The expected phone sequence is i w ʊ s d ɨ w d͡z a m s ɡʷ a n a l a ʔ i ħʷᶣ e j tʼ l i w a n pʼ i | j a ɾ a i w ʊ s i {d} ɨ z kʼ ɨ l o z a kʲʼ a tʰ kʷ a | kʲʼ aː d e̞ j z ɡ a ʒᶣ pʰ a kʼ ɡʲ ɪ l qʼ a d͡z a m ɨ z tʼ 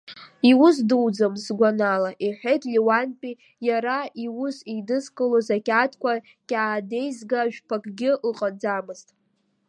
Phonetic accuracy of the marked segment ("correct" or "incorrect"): correct